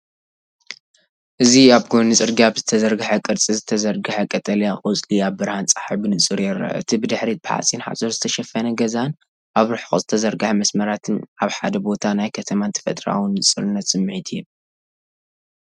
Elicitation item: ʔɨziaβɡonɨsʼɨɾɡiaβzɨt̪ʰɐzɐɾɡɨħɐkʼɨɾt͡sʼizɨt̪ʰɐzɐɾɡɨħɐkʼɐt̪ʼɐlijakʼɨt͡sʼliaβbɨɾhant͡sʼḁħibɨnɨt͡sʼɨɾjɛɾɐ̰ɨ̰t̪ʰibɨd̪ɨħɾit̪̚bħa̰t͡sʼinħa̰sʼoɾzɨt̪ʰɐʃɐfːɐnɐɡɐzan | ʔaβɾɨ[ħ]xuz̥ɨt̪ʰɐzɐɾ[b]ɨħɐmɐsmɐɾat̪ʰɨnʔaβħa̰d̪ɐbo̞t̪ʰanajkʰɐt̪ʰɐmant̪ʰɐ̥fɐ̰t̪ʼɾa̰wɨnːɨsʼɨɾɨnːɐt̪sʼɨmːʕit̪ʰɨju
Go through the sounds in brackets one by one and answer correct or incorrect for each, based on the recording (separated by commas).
correct, incorrect